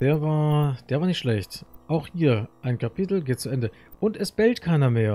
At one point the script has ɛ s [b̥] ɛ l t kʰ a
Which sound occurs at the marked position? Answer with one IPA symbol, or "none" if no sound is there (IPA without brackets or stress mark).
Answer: b̥